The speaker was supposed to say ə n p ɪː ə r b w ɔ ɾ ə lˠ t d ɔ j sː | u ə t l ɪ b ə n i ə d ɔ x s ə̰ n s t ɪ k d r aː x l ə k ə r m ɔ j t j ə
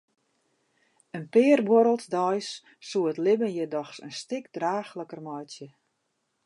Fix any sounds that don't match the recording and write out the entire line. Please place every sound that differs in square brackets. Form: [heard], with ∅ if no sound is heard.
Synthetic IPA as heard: ə n p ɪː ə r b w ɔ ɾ ə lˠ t d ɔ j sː | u ə t l ɪ b ə n [j] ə d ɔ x s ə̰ n s t ɪ k d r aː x l ə k ə r m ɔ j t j ə